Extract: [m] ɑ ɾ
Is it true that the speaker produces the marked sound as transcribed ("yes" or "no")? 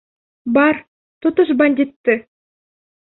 no